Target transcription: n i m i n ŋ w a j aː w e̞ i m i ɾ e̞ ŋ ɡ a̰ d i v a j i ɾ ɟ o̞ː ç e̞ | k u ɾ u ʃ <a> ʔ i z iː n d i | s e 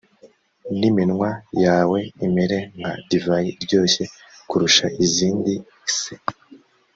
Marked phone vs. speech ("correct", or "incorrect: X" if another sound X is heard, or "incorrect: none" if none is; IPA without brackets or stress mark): correct